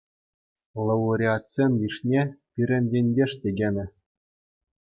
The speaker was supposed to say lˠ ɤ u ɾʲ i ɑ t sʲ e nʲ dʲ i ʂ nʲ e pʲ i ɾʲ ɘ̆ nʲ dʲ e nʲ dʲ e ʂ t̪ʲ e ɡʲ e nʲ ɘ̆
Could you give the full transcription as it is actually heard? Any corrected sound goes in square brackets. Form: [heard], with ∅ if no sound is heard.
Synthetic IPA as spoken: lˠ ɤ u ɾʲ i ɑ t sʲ e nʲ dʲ i ʂ nʲ e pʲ i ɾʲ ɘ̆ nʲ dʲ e nʲ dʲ e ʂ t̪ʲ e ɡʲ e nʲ ɘ̆

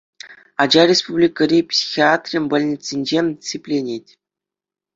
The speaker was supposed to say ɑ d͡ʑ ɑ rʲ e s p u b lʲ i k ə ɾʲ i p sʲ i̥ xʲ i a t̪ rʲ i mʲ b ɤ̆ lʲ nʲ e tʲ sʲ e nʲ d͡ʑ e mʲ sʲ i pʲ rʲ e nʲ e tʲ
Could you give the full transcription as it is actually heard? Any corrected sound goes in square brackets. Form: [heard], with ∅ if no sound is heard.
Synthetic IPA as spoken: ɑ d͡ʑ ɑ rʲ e s p u b lʲ i k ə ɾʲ i p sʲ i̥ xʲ i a t̪ rʲ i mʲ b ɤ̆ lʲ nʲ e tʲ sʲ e nʲ d͡ʑ e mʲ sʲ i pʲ [lʲ] e nʲ e tʲ

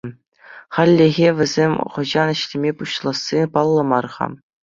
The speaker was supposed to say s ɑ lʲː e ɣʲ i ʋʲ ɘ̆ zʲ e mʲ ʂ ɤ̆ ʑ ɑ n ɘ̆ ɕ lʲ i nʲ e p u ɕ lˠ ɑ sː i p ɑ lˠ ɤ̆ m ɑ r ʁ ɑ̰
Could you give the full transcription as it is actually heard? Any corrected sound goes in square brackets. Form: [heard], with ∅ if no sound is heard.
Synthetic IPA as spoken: [χ] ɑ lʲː e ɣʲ [e] ʋʲ ɘ̆ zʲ e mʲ [χ] ɤ̆ ʑ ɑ n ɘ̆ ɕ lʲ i [mʲ] e p u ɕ lˠ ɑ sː i p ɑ [lˠː] ɤ̆ m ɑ r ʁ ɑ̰

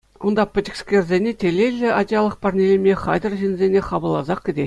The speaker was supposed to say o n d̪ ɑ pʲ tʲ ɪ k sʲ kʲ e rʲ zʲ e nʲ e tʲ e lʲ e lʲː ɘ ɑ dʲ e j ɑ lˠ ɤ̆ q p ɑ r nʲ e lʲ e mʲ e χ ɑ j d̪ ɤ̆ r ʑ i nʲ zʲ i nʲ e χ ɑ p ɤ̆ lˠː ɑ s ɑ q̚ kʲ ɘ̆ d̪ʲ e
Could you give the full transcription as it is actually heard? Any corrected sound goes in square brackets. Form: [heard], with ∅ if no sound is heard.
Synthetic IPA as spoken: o n d̪ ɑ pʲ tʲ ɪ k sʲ kʲ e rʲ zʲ e nʲ e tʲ e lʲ e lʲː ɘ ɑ dʲ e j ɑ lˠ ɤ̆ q p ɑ r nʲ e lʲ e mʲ e χ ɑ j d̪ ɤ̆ r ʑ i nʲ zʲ [e] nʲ e χ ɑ [b] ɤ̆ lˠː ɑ [z] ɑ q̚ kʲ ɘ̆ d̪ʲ e

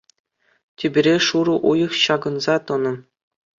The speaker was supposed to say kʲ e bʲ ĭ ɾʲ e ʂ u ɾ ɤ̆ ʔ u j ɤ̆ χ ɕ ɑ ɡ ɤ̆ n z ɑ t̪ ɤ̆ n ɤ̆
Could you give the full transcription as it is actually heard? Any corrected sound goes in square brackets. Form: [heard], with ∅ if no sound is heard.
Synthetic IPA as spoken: [tʲ] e bʲ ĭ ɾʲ e ʂ u ɾ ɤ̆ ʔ u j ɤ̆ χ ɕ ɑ ɡ ɤ̆ n z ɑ t̪ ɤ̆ n ɤ̆

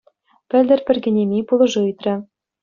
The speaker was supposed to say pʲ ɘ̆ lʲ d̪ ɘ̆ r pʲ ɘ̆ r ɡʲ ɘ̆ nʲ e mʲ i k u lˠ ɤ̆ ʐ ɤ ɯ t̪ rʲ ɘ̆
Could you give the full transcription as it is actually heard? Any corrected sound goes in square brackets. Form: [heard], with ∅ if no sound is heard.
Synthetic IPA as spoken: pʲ ɘ̆ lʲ d̪ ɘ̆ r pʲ ɘ̆ r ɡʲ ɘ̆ nʲ e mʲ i [p] u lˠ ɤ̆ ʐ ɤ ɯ t̪ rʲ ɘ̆

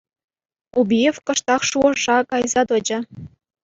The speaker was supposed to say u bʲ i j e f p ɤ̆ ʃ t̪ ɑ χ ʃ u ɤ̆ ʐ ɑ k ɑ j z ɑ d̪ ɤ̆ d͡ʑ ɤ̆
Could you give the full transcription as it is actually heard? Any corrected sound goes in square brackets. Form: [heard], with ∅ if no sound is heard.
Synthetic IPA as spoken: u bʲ i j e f [k] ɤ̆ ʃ t̪ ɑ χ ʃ u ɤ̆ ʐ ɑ k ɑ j z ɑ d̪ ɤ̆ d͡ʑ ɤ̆

